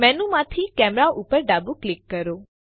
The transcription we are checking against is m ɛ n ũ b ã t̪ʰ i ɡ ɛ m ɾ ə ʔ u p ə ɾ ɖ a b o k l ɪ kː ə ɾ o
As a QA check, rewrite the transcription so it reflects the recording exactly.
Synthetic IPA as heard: m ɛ n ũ m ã t̪ʰ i k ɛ m ɾ a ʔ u p ə ɾ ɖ a b u k l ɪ kː ə ɾ o